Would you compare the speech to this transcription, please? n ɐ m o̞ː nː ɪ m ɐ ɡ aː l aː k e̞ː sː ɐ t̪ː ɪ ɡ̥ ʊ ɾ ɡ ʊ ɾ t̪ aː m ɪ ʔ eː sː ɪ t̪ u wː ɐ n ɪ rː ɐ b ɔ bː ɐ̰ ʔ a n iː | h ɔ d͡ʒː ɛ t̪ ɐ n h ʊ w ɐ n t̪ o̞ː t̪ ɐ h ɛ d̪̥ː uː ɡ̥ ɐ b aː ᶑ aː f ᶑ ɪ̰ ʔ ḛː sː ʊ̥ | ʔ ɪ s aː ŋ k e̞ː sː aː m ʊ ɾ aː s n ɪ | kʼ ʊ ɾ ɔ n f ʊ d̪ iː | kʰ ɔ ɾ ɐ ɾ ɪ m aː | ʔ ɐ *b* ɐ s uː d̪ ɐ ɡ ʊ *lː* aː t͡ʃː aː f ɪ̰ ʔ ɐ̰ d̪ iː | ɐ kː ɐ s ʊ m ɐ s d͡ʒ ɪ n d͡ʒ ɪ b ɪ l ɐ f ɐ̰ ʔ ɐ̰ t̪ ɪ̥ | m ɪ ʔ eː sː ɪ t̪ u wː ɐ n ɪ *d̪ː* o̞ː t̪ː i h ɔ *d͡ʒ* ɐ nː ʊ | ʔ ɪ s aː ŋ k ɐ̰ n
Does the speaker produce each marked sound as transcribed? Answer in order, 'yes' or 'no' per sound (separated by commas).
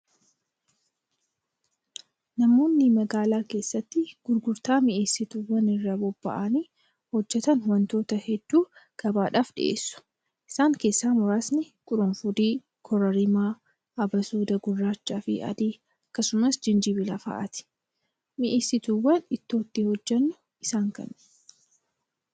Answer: yes, no, no, no